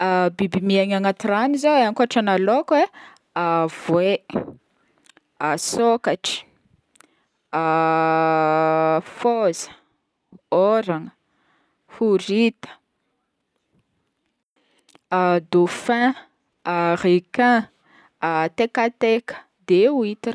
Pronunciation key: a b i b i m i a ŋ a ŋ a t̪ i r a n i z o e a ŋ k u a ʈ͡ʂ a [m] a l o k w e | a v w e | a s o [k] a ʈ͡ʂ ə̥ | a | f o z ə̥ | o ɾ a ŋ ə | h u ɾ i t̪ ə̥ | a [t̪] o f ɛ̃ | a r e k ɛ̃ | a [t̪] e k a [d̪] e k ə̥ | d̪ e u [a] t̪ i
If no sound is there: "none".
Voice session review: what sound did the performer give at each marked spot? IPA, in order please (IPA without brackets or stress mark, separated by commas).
n, k, d̪, t̪, t̪, i